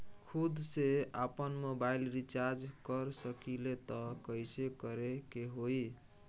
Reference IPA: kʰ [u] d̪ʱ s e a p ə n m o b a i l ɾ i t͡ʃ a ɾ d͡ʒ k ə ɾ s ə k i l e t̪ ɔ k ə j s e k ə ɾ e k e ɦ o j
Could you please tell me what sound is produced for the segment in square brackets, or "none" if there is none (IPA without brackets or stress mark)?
u